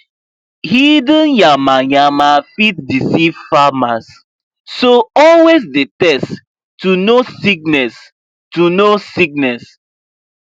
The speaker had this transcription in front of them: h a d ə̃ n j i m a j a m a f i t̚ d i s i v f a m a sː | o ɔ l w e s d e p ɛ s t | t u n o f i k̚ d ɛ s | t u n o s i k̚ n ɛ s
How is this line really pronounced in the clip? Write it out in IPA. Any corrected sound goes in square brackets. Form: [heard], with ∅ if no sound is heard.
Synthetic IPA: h [i] d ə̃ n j [a] m a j a m a f i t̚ d i s i v f a m a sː | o ɔ l w e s d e [t] ɛ s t | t u n o [s] i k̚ [n] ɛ s | t u n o s i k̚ n ɛ s